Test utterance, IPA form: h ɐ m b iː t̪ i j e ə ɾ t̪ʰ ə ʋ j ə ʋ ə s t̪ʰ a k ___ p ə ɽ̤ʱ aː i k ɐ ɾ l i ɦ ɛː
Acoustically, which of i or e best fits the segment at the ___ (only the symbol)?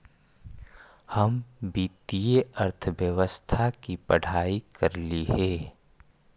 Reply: i